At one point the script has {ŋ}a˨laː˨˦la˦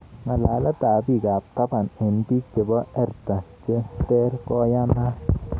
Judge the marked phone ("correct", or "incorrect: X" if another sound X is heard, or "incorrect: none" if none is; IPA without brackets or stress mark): correct